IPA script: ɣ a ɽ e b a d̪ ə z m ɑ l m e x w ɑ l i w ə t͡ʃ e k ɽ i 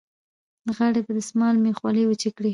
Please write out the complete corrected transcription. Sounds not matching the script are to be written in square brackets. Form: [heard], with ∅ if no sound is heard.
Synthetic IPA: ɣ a ɽ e b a d̪ ə [s] m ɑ l m e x w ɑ l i w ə t͡ʃ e k ɽ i